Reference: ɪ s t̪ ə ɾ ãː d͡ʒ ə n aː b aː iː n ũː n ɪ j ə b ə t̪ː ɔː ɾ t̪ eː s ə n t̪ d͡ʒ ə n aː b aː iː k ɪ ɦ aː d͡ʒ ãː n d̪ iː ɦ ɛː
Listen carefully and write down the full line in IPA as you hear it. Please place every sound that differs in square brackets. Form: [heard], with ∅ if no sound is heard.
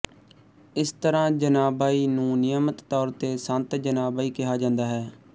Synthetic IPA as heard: ɪ s t̪ ə ɾ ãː d͡ʒ ə n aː b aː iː n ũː n ɪ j ə [m] ə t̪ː ɔː ɾ t̪ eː s ə n t̪ d͡ʒ ə n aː b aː iː k ɪ ɦ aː d͡ʒ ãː n d̪ [aː] ɦ ɛː